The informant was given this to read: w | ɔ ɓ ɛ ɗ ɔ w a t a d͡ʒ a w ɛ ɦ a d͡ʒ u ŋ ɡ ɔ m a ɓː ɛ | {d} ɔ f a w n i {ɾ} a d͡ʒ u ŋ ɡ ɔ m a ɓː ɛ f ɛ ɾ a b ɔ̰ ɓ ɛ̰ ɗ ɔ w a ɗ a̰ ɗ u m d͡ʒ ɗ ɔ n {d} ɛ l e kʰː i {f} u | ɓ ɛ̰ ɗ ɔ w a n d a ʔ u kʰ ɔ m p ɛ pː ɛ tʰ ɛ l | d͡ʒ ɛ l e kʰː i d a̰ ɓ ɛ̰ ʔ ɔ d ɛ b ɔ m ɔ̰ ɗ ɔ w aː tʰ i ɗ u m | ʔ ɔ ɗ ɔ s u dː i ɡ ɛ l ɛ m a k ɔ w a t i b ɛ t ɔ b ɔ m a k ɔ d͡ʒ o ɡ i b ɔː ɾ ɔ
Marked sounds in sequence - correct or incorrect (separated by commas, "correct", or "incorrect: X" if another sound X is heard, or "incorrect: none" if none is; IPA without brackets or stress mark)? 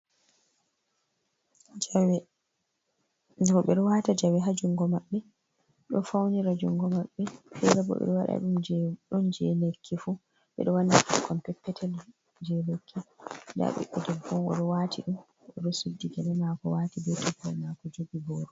incorrect: ɗ, correct, incorrect: d͡ʒ, correct